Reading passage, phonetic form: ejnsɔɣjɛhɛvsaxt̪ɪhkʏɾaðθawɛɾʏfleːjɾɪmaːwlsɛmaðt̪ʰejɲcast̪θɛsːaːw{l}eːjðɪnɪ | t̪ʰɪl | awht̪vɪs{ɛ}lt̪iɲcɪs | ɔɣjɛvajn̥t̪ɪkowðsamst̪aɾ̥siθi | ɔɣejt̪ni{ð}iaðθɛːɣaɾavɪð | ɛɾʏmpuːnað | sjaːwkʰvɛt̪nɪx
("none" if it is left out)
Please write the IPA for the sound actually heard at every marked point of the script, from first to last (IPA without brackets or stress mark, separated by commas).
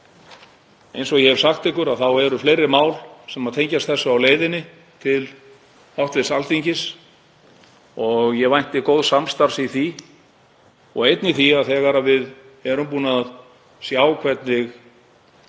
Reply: l, a, θ